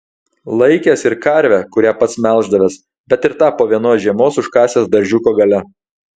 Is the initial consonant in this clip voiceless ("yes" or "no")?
no